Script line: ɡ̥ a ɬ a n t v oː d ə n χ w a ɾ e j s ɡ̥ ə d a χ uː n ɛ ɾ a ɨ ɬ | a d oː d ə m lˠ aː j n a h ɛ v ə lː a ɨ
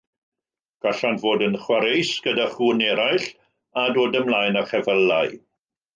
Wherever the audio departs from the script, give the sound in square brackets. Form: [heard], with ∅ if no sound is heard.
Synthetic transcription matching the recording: ɡ̥ a ɬ a n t v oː d ə n χ w a ɾ e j s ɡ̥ ə d a χ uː n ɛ ɾ a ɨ ɬ | a d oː d ə m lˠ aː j n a [χ] ɛ v ə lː a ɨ